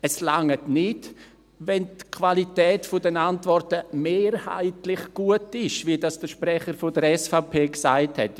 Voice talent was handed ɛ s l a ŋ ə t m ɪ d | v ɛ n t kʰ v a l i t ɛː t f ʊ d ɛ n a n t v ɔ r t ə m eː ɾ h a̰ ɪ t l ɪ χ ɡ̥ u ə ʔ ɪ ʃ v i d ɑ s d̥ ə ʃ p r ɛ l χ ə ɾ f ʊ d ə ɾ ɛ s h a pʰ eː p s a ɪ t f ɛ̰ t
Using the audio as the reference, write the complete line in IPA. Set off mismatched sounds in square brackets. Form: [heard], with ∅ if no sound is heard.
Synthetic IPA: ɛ s l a ŋ ə t [n] ɪ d | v ɛ n t kʰ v a l i t ɛː t f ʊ d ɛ n a n t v ɔ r t ə m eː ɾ h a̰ ɪ t l ɪ χ ɡ̥ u ə [t] ɪ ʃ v i d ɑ s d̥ ə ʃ p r ɛ [∅] χ ə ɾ f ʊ d ə ɾ ɛ s [f] a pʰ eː [k] s a ɪ t [h] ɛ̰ t